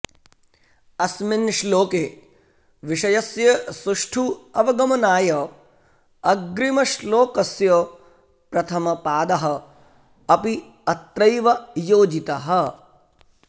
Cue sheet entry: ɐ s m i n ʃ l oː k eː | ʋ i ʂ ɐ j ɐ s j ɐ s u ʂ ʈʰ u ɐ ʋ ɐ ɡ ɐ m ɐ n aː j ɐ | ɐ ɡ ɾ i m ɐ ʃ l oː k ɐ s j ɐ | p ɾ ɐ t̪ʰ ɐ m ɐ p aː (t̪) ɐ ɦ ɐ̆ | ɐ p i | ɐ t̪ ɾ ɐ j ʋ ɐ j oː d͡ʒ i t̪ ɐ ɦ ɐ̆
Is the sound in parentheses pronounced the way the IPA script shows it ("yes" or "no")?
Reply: no